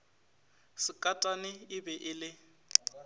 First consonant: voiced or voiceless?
voiceless